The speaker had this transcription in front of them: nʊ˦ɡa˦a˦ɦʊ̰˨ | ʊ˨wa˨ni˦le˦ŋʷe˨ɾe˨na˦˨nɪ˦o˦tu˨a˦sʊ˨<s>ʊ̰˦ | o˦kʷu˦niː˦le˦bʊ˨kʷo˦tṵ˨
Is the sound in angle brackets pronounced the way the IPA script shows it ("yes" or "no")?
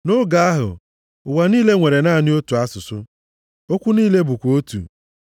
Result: yes